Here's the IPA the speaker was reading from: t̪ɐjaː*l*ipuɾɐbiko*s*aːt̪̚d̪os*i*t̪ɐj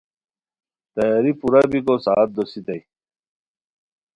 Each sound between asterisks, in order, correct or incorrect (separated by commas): incorrect, correct, correct